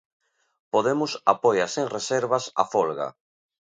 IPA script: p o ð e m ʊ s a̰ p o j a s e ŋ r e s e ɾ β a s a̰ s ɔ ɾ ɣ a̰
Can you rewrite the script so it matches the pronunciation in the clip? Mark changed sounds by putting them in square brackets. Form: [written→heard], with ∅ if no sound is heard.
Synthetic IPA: p o ð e m ʊ s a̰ p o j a s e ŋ r e s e ɾ β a s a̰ [s→f] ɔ [ɾ→l] ɣ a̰